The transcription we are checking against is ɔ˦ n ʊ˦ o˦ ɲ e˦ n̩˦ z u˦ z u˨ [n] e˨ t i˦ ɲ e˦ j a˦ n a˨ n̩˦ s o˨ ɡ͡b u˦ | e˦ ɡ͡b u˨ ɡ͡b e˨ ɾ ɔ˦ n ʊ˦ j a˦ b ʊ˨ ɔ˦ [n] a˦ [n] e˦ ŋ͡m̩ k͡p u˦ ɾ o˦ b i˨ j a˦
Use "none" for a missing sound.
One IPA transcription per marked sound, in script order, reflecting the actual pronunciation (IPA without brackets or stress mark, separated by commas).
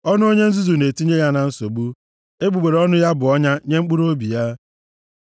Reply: n, ɲ, ɲ